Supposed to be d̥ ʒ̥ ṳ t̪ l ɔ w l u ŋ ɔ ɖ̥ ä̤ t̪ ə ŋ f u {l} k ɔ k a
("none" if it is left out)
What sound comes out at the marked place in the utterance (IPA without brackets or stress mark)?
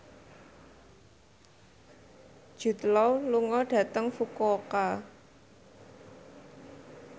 none